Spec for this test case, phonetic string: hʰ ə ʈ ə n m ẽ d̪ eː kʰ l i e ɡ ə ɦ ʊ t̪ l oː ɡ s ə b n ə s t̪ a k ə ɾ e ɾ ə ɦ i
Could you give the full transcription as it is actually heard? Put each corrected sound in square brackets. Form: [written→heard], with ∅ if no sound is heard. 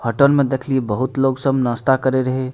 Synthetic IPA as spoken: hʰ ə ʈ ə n m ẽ d̪ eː kʰ l i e [ɡ→b] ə ɦ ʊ t̪ l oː ɡ s ə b n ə s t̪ a k ə ɾ e ɾ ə ɦ [i→e]